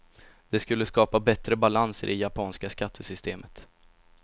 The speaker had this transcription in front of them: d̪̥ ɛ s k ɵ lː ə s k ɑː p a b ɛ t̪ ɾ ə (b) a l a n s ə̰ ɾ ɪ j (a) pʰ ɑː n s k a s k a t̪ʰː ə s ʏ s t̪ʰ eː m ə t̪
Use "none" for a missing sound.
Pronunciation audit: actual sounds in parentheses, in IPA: b, a

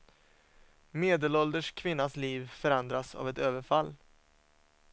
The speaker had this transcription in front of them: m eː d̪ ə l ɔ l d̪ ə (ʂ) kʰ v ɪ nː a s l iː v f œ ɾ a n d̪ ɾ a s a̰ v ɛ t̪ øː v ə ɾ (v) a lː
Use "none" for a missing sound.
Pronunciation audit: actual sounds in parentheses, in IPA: ʂ, f

